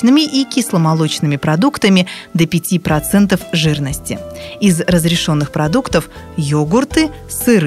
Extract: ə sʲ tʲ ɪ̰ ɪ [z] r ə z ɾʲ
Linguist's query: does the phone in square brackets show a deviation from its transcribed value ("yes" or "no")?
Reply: no